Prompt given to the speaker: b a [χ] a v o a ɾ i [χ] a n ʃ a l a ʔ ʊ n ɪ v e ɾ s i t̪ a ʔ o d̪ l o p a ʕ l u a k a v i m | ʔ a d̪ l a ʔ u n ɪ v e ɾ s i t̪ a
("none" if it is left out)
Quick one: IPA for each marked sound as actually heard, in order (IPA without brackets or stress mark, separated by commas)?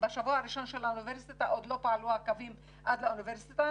ʃ, ʃ